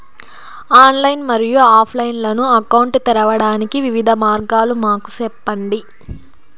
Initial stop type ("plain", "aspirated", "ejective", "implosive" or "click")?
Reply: aspirated